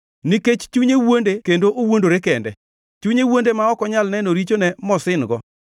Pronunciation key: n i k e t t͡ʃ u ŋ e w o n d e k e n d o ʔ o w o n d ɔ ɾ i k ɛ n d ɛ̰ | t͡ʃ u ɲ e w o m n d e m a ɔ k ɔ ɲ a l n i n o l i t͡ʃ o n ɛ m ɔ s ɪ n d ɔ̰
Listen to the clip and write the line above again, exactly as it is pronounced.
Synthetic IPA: n i k e t͡ʃ t͡ʃ u ɲ e w o n d e k e n d o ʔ o w o n d o ɾ e k ɛ n d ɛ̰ | t͡ʃ u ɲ e w o n d e m a ɔ k ɔ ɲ a l n ɛ n o ɾ i t͡ʃ o n ɛ m ɔ s ɪ n ɡ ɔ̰

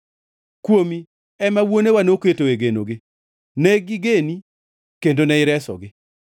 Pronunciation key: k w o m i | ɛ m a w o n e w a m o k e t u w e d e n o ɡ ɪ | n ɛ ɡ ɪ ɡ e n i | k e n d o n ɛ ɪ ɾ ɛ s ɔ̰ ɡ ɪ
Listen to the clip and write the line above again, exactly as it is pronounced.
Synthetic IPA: k w o m i | ɛ m a w o n e w a n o k e t o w e ɡ e n o ɡ ɪ | n ɛ ɡ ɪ ɡ e n i | k e n d o n ɛ ɪ ɾ ɛ s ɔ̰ ɡ ɪ

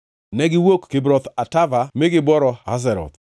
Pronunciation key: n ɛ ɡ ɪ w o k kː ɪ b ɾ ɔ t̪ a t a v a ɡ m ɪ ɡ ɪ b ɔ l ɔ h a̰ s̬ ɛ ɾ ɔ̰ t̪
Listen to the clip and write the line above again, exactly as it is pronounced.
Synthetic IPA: n ɛ ɡ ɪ w o k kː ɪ b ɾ ɔ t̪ a t a v a m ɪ ɡ ɪ b ɔ ɾ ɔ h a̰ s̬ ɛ ɾ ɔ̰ t̪

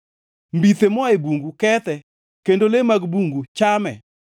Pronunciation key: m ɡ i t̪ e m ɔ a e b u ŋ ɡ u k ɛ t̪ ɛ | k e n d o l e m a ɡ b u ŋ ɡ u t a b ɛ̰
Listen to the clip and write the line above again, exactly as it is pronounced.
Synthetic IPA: m b i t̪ e m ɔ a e b u ŋ ɡ u k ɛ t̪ ɛ | k e n d o l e m a ɡ b u ŋ ɡ u t͡ʃ a m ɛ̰

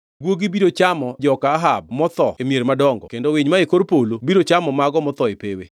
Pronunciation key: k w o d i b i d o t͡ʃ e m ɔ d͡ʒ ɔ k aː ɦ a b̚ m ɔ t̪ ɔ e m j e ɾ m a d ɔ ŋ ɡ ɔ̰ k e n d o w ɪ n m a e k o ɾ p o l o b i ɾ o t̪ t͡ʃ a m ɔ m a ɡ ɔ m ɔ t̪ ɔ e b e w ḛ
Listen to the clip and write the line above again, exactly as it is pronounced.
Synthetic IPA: ɡ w o ɡ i b i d o t͡ʃ a m ɔ d͡ʒ ɔ k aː ɦ a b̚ m ɔ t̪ ɔ e m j e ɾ m a d ɔ ŋ ɡ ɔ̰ k e n d o w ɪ ɲ m a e k o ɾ p o l o b i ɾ o t͡ʃ a m ɔ m a ɡ ɔ m ɔ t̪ ɔ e p e w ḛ

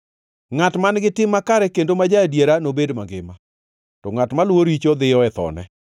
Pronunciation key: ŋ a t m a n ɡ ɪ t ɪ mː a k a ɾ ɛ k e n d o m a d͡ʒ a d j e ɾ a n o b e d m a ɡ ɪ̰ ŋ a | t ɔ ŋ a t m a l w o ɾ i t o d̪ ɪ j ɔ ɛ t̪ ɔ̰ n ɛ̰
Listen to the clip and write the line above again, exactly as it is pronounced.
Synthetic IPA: ŋ a t m a n ɡ ɪ t ɪ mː a k a ɾ ɛ k e n d o m a d͡ʒ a d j e ɾ a n o b e d m a ɡ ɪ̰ m a | t ɔ ŋ a t m a l w o ɾ i t͡ʃ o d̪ ɪ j ɔ ɛ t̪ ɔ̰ n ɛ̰

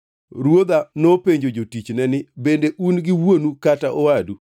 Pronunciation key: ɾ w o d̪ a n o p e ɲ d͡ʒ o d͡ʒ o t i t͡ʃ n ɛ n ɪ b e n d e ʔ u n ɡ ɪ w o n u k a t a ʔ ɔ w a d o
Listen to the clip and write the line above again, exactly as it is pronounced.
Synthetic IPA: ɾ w o d̪ a n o p e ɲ d͡ʒ o d͡ʒ o t i t͡ʃ n ɛ n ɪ b e n d e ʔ u n ɡ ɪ w o n u k a t a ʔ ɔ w a d u

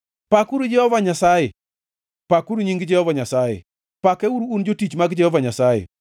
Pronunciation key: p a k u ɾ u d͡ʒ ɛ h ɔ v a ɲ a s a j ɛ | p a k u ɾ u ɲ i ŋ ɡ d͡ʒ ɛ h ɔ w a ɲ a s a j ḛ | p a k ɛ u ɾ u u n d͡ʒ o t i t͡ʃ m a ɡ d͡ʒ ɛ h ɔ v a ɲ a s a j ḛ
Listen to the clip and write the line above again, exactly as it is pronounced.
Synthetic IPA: p a k u ɾ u d͡ʒ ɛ h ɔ v a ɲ a s a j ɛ | p a k u ɾ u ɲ i ŋ ɡ d͡ʒ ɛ h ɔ v a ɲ a s a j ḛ | p a k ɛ u ɾ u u n d͡ʒ o t i t͡ʃ m a ɡ d͡ʒ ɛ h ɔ v a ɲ a s a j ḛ

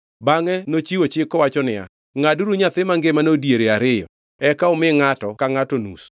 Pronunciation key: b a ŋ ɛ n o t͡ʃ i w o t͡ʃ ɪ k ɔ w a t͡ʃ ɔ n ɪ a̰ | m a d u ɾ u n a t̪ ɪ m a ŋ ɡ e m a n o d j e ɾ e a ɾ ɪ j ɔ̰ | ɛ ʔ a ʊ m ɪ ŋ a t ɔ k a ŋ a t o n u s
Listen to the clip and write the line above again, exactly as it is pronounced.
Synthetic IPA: b a ŋ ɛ n o t͡ʃ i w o t͡ʃ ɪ k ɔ w a t͡ʃ ɔ n ɪ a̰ | ŋ a d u ɾ u ɲ a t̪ ɪ m a ŋ ɡ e m a n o d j e ɾ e a ɾ ɪ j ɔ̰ | ɛ k a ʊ m ɪ ŋ a t ɔ k a ŋ a t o n u s

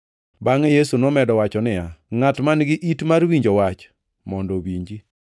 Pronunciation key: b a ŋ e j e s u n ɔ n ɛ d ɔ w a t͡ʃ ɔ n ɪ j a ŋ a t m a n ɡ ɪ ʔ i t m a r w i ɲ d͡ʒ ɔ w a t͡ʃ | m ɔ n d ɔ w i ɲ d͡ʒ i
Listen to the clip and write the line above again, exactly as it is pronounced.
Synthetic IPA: b a ŋ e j e s u n ɔ m ɛ d ɔ w a t͡ʃ ɔ n ɪ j a ŋ a t m a n ɡ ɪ ʔ i t m a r w i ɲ d͡ʒ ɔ w a t͡ʃ | m ɔ n d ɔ w i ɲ d͡ʒ i

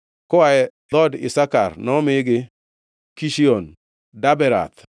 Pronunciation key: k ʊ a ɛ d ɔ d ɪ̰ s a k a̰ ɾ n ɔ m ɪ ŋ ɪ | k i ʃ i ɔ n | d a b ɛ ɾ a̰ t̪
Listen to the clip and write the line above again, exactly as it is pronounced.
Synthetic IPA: k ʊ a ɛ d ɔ d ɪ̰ s a k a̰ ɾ n ɔ m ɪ ɡ ɪ | k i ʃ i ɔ n | d a b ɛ ɾ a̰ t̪

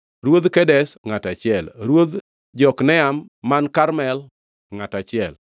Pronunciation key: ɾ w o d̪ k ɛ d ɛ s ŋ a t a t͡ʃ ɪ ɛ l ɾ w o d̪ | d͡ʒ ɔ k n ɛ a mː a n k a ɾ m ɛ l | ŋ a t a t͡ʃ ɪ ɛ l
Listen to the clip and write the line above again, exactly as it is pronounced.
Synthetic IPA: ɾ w o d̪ k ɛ d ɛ s ŋ a t a t͡ʃ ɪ ɛ l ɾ w o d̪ | d͡ʒ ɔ k n ɛ a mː a n k a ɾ m ɛ l | ŋ a t a t͡ʃ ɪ ɛ l

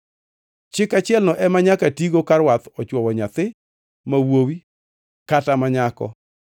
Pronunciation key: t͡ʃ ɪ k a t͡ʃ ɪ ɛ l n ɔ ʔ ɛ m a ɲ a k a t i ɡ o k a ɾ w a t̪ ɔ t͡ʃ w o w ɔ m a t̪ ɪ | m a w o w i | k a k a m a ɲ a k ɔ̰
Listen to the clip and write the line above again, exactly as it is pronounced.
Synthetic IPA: t͡ʃ ɪ k a t͡ʃ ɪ ɛ l n ɔ ʔ ɛ m a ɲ a k a t i ɡ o k a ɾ w a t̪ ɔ t͡ʃ w ɔ w ɔ ɲ a t̪ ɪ | m a w o w i | k a t a m a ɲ a k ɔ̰

